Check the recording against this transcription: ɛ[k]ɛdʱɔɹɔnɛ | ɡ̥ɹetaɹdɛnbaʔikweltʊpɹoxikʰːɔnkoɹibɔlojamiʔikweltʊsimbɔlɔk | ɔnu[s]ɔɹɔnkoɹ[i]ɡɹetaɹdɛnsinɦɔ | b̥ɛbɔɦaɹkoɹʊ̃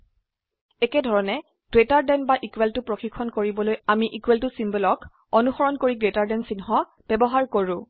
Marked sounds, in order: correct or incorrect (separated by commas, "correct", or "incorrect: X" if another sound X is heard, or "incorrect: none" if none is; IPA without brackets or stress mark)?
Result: correct, incorrect: x, correct